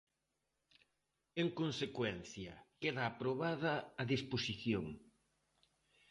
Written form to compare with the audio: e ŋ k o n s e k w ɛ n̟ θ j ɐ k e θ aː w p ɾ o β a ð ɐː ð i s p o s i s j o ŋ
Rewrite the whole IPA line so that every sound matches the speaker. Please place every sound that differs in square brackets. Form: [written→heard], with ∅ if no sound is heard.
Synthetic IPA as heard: e ŋ k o n s e k w ɛ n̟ θ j ɐ k e [θ→ð] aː [w→∅] p ɾ o β a ð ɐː ð i s p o s i [s→θ] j o ŋ